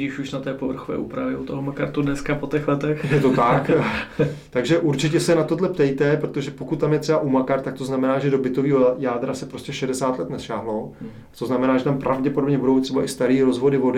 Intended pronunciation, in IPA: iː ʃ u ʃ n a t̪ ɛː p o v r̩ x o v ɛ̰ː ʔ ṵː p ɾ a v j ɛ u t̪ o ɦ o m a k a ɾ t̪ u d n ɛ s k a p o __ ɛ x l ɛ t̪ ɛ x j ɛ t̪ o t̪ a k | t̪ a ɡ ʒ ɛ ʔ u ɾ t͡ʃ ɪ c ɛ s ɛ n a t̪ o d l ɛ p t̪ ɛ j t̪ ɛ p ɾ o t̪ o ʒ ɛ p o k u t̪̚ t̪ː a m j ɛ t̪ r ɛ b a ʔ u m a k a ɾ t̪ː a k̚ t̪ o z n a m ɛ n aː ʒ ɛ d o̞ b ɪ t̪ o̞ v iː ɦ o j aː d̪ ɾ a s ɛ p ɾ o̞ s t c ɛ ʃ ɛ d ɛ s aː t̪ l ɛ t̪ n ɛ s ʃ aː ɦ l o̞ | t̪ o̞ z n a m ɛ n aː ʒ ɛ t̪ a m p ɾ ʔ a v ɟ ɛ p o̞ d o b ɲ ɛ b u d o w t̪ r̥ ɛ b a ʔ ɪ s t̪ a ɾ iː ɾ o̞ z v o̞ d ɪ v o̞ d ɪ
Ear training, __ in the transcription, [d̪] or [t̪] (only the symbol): t̪